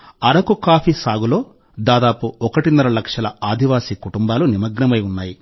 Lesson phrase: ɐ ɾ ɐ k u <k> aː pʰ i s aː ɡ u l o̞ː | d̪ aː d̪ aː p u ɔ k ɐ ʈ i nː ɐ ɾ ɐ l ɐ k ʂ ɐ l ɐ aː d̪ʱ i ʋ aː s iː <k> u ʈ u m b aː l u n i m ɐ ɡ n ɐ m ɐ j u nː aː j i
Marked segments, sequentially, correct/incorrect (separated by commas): correct, correct